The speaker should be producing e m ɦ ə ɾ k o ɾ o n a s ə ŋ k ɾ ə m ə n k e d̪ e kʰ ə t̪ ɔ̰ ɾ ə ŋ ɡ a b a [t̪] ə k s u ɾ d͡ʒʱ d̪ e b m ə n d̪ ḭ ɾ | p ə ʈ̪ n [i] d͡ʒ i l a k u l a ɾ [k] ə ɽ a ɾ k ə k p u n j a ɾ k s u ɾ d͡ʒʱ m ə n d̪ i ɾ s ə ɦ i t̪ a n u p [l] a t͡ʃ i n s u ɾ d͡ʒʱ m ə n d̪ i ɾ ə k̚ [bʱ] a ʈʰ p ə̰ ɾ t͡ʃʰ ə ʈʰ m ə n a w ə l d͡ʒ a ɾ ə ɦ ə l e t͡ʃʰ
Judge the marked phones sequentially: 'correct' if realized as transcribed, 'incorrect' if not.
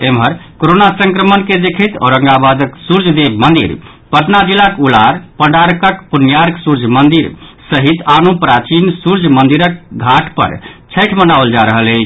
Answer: incorrect: d̪, incorrect: a, incorrect: p, incorrect: ɾ, incorrect: ɡʱ

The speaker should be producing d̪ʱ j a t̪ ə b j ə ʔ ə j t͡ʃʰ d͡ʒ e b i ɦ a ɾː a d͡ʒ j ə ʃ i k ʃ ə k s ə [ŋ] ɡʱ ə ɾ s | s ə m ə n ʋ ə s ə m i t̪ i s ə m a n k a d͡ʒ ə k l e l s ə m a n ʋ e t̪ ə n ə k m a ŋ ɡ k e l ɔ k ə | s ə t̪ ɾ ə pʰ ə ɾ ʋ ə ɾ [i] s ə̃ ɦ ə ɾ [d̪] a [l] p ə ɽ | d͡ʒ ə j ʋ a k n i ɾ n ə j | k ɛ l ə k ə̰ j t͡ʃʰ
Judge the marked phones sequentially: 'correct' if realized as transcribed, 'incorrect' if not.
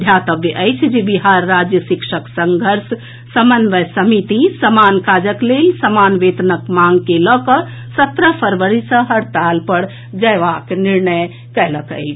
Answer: correct, correct, incorrect: t̪, correct

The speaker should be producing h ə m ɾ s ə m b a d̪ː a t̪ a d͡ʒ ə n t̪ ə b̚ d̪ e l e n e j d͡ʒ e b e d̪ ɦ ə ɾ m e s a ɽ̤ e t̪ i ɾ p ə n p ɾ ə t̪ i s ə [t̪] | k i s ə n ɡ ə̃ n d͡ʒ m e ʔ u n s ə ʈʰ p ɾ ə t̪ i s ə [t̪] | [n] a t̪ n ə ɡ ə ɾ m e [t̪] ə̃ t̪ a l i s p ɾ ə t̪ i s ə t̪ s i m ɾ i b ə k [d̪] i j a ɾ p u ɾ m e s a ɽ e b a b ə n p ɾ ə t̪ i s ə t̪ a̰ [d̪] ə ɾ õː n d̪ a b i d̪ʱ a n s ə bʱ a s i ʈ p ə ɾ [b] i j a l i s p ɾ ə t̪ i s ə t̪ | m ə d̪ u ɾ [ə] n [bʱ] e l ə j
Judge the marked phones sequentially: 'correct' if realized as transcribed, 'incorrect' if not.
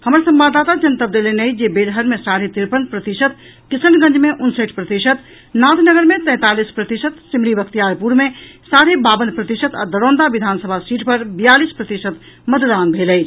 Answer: correct, correct, correct, correct, incorrect: t̪, correct, correct, incorrect: a, correct

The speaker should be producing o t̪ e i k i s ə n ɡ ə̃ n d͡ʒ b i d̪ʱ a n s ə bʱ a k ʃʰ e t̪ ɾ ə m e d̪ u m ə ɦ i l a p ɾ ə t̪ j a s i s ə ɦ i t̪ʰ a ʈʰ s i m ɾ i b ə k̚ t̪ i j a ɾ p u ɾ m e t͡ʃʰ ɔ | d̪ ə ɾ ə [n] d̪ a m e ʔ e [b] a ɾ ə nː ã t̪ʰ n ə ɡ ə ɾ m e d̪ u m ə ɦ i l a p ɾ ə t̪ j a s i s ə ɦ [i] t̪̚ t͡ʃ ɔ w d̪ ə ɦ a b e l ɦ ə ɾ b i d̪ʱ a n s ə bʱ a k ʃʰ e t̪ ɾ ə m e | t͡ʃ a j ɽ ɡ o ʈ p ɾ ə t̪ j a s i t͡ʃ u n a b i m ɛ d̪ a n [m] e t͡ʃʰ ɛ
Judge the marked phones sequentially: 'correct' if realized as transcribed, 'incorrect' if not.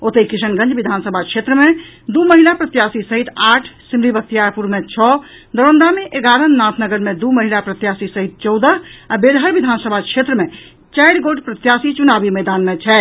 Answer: correct, incorrect: ɡ, correct, correct

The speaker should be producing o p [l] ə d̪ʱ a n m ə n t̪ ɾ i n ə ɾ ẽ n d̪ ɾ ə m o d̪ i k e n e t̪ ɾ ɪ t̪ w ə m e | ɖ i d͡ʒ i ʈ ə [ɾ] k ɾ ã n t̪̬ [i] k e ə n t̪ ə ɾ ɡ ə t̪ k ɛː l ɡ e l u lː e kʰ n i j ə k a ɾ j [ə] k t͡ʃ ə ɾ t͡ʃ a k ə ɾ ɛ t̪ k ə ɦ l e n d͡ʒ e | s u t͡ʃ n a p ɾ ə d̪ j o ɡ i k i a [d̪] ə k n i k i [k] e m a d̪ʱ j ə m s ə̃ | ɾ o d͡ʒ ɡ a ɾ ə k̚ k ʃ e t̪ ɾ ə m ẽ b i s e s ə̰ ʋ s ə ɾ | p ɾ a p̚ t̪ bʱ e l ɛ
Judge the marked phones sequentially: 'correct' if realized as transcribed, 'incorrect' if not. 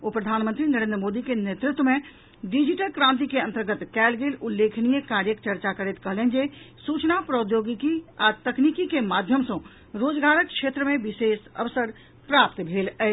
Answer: incorrect: ɾ, incorrect: l, correct, correct, incorrect: t̪, correct

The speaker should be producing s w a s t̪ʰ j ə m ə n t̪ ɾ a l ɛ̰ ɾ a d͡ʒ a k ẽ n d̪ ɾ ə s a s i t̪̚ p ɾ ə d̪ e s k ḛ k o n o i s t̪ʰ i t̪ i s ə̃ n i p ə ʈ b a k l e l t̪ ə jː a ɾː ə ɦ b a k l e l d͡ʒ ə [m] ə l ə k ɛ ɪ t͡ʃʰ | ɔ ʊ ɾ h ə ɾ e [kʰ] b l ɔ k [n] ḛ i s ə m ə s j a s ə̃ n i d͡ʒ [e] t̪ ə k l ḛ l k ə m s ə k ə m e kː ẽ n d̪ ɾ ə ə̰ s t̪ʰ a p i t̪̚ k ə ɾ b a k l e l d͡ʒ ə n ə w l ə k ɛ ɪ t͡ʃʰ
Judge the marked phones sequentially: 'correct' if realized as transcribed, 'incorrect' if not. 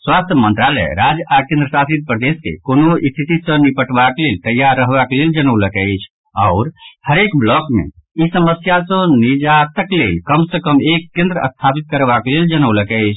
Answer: incorrect: n, incorrect: k, incorrect: m, incorrect: a

